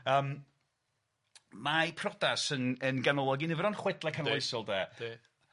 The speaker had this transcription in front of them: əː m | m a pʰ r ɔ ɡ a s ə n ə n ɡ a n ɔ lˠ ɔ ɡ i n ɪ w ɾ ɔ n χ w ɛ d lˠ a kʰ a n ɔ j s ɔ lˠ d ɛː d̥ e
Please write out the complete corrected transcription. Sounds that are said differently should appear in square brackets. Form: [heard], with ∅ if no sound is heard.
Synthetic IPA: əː m | m a pʰ r ɔ [d] a s ə n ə n ɡ a n ɔ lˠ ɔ ɡ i n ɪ [v] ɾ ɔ n χ w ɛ d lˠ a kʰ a n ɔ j s ɔ lˠ d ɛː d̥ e